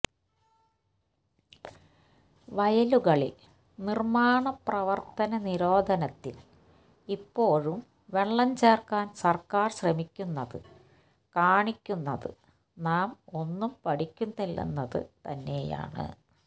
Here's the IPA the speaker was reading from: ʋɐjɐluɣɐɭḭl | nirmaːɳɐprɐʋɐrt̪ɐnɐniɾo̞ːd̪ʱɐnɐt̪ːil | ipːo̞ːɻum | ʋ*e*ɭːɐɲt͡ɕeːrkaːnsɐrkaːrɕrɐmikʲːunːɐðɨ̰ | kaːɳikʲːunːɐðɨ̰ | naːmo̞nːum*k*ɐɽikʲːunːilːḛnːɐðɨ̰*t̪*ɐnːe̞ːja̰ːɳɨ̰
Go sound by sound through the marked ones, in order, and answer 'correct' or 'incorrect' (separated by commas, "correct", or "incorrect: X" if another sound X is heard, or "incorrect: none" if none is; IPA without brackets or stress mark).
correct, incorrect: p, correct